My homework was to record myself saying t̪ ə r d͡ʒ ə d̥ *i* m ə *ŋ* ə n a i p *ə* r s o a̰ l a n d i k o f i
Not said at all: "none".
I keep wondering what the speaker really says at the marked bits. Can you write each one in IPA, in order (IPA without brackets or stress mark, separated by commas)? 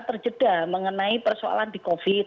a, ŋ, ə